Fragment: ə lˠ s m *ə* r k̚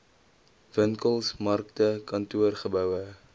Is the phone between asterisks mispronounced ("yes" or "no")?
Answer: yes